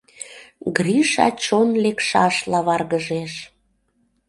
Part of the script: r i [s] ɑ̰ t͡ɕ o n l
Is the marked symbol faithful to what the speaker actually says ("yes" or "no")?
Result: no